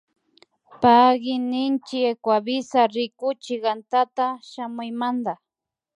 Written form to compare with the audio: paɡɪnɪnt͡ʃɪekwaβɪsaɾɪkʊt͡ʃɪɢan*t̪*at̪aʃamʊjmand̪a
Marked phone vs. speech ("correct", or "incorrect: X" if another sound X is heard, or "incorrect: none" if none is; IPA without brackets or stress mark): correct